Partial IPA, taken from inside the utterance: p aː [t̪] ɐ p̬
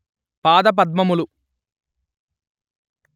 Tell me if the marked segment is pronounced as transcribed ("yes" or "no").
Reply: no